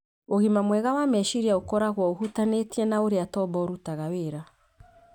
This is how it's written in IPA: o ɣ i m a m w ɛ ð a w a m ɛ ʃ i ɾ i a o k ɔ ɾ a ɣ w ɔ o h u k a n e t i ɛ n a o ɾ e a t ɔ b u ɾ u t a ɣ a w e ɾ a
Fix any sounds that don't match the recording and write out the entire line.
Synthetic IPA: o ɣ i m a m w ɛ ɣ a w a m ɛ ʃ i ɾ i a o k ɔ ɾ a ɣ w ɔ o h u t a n e t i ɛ n a o ɾ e a t ɔ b ɔ ɾ u t a ɣ a w e ɾ a